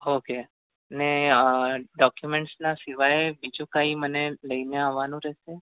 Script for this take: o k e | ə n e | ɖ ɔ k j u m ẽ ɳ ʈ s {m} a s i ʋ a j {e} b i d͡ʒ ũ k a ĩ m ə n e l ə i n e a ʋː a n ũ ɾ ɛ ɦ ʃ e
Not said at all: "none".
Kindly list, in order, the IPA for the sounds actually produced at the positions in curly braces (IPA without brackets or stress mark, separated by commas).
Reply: n, e